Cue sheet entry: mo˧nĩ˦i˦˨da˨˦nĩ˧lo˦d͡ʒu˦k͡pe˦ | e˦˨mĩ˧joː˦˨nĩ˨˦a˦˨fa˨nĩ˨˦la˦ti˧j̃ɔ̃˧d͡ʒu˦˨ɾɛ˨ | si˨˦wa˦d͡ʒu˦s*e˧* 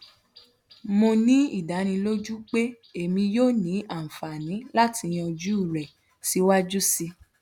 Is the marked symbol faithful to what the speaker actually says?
no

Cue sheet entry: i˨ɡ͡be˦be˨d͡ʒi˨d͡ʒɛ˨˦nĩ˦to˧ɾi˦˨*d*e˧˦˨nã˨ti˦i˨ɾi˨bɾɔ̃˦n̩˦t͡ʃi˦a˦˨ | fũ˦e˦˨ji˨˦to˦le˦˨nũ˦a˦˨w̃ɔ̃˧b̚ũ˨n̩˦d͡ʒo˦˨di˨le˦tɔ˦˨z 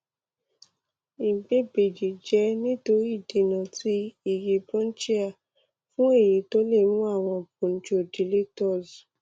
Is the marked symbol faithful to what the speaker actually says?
yes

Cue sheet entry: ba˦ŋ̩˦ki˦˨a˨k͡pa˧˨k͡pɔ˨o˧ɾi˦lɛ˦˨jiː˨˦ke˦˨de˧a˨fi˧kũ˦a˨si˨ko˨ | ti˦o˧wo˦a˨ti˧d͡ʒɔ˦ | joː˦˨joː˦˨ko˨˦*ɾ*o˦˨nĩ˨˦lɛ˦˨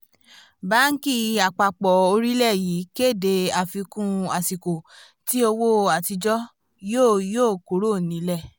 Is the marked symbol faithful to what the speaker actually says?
yes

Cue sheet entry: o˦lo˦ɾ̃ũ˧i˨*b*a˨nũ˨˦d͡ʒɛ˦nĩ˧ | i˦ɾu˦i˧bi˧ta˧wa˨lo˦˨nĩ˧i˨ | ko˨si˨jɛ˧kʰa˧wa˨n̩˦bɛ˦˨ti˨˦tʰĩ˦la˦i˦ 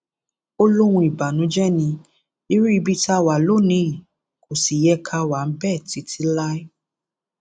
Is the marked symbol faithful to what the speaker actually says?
yes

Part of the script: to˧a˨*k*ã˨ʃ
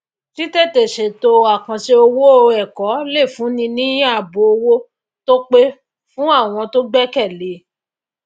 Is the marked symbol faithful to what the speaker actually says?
yes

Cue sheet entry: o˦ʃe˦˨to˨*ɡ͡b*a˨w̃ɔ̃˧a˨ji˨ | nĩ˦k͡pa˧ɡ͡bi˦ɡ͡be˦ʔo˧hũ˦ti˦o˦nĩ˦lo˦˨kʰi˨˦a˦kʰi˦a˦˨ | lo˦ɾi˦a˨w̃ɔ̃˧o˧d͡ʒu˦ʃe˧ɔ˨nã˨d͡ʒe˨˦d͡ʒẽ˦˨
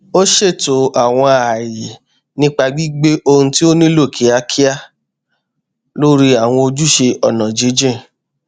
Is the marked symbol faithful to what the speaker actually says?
no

